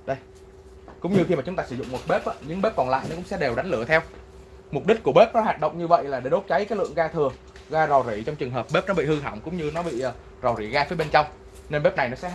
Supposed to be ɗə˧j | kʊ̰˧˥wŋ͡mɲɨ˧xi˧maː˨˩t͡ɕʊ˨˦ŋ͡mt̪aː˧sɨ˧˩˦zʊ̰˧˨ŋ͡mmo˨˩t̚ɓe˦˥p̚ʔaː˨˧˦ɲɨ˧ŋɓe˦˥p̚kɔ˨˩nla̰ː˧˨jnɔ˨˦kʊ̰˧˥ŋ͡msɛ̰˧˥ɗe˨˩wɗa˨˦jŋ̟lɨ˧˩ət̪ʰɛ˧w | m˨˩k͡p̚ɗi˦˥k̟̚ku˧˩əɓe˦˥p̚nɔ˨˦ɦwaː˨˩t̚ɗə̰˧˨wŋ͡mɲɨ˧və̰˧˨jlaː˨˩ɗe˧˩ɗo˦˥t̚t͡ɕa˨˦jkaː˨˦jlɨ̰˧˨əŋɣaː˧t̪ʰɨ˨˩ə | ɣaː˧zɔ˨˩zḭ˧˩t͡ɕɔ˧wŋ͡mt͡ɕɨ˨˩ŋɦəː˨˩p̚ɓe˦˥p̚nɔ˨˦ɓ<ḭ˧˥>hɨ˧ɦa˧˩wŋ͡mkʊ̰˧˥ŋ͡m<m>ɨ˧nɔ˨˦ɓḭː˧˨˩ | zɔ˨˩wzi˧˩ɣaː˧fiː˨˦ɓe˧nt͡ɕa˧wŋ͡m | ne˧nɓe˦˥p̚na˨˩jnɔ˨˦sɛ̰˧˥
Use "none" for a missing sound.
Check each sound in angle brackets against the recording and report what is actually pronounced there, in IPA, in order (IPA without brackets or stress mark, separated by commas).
ḭ˧˨, ɲ